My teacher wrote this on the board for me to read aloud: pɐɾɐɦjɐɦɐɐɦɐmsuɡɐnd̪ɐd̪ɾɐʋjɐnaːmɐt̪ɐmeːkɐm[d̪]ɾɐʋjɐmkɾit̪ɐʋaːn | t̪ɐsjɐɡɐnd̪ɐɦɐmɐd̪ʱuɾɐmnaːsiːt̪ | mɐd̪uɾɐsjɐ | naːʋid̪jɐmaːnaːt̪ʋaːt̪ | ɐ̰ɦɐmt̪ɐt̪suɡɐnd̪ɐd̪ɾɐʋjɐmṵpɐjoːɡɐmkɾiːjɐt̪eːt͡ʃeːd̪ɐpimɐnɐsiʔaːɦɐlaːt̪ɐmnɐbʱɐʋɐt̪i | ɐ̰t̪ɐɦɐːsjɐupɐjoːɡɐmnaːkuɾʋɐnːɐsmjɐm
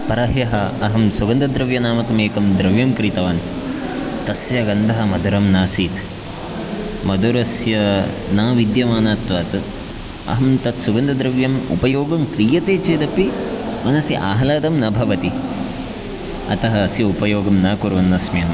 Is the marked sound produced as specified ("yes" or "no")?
yes